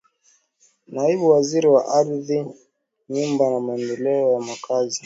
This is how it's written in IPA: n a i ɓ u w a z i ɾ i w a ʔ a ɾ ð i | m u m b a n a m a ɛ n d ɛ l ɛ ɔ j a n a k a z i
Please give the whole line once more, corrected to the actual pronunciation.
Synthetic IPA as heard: n a i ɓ u w a z i ɾ i w a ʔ a ɾ ð i | ɲ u m b a n a m a ɛ n d ɛ l ɛ ɔ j a m a k a z i